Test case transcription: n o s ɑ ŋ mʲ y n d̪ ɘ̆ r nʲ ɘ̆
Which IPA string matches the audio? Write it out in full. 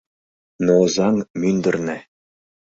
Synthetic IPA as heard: n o z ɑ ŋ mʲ y n d̪ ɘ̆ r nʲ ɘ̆

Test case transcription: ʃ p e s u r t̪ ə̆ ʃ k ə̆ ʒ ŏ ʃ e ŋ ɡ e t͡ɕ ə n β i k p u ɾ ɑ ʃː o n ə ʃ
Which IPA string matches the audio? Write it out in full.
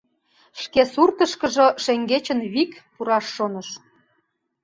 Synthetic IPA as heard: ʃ k e s u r t̪ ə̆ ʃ k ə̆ ʒ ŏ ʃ e ŋ ɡ e t͡ɕ ə n β i k p u ɾ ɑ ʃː o n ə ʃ

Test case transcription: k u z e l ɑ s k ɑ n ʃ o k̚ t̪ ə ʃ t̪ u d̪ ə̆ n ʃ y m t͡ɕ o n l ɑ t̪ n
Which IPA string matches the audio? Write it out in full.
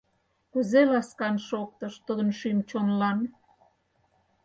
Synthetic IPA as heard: k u z e l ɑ s k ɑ n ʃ o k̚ t̪ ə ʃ t̪ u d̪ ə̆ n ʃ y m t͡ɕ o n l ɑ n

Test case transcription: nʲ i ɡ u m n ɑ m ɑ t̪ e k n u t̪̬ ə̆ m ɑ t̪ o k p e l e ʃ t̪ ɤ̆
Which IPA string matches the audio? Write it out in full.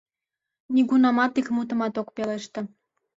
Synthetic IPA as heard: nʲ i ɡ u n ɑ m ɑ t̪ i k m u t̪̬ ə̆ m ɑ t̪ o k p e l e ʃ t̪ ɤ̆

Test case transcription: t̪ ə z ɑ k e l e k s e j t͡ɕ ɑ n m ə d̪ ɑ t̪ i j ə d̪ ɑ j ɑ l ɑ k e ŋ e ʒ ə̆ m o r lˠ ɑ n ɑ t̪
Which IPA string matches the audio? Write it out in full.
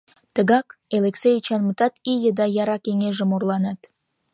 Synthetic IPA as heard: t̪ ə ɣ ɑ k e l e k s e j t͡ɕ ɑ n m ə t̪ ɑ t̪ i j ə d̪ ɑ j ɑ ɾ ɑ k e ŋ e ʒ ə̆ m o r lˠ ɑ n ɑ t̪

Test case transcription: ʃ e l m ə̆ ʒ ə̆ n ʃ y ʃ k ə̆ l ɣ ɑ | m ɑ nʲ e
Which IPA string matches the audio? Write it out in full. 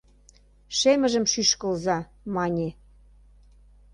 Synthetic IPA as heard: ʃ e m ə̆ ʒ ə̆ m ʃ y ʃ k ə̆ l z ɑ | m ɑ nʲ e

